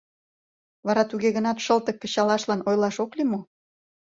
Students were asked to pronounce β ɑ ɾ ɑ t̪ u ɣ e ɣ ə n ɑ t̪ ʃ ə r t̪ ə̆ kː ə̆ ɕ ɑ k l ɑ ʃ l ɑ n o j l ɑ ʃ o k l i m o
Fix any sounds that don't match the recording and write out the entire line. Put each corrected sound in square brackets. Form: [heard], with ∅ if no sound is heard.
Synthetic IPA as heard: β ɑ ɾ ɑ t̪ u ɣ e ɣ ə n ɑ t̪ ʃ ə [l] t̪ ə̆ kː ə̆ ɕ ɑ [∅] l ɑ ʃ l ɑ n o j l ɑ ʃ o k l i m o